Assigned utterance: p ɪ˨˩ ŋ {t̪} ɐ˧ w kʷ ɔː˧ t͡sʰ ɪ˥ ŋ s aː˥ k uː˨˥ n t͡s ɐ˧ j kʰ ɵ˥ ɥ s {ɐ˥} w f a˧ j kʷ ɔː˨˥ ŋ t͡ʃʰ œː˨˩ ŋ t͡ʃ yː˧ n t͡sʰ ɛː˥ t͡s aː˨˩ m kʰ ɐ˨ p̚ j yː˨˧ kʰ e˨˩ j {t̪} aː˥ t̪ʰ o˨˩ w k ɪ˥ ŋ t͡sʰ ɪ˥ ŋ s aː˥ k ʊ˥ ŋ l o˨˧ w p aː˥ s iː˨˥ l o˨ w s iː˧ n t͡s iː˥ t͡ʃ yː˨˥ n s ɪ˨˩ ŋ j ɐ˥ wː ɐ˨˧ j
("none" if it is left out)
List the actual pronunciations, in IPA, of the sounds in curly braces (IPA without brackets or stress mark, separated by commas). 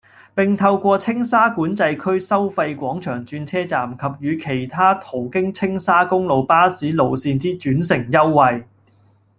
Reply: t̪ʰ, ɐ˥, t̪ʰ